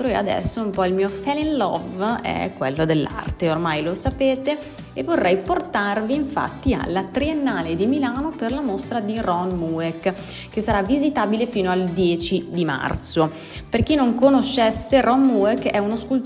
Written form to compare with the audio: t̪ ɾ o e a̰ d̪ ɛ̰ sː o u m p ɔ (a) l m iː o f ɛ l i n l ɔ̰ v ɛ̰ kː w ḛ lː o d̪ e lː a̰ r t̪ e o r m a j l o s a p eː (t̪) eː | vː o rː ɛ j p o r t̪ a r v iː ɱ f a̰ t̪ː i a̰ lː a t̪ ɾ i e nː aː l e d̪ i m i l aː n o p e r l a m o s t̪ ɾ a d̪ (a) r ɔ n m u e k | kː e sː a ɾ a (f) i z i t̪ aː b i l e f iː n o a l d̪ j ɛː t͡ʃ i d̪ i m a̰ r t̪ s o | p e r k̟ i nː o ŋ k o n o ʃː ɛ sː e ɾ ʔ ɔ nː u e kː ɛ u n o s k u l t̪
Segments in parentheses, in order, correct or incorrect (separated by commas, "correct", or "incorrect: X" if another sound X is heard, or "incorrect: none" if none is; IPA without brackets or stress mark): incorrect: i, correct, incorrect: i, incorrect: v